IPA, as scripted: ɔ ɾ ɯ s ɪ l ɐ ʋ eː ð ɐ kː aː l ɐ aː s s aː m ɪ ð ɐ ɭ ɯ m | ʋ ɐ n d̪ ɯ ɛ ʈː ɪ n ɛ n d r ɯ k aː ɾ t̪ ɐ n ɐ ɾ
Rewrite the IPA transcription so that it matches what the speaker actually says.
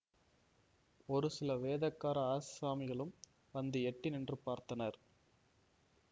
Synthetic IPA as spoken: ɔ ɾ ɯ s ɪ l ɐ ʋ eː ð ɐ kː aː ɾ ɐ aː s s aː m ɪ ɣ ɐ ɭ ɯ m | ʋ ɐ n d̪ ɯ ɛ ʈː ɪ n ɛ n d r ɯ p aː ɾ t̪ ɐ n ɐ ɾ